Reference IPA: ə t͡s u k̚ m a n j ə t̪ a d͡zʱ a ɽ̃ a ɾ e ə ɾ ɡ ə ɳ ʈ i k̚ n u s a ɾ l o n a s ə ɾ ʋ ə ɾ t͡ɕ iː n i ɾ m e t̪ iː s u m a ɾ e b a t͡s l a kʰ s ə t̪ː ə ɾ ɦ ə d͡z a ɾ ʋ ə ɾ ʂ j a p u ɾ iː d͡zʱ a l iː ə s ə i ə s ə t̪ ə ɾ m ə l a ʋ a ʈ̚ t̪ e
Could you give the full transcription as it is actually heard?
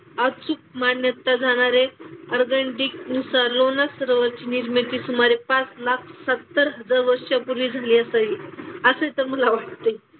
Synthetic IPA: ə t͡s u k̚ m a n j ə t̪ a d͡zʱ a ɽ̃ a ɾ e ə ɾ ɡ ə ɳ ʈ i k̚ n u s a ɾ l o n a s ə ɾ ʋ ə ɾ t͡ɕ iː n i ɾ m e t̪ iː s u m a ɾ e p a t͡s l a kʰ s ə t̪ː ə ɾ ɦ ə d͡z a ɾ ʋ ə ɾ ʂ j a p u ɾ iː d͡zʱ a l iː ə s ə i ə s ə t̪ ə ɾ m ə l a ʋ a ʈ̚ t̪ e

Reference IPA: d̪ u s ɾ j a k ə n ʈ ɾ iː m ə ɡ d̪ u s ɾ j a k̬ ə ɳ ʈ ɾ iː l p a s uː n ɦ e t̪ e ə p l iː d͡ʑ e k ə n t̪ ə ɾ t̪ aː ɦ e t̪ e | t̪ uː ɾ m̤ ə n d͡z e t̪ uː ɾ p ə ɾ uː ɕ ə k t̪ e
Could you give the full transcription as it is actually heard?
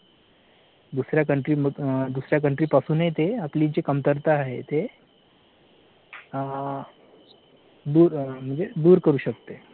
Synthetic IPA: d̪ u s ɾ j a k ə ɳ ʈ ɾ iː m ə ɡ d̪ u s ɾ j a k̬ ə ɳ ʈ ɾ iː p a s uː n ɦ e t̪ e a p l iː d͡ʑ e k ə m t̪ ə ɾ t̪ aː ɦ e t̪ e | d̪ uː ɾ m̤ ə ɳ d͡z e d̪ uː ɾ k ə ɾ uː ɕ ə k t̪ e

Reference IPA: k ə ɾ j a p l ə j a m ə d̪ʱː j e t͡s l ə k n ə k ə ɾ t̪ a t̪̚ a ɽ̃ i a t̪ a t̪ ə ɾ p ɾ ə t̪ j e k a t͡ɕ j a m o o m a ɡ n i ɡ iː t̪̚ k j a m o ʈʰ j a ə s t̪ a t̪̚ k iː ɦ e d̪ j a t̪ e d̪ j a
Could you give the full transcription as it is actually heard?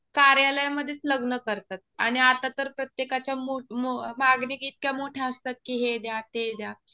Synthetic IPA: k a ɾ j a l ə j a m ə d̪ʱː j e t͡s l ə ɡ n ə k ə ɾ t̪ a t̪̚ a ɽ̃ i a t̪ a t̪ ə ɾ p ɾ ə t̪ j e k a t͡ɕ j a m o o m a ɡ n i ɡ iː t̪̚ k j a m o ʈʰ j a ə s t̪ a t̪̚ k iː ɦ e d̪ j a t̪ e d̪ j a

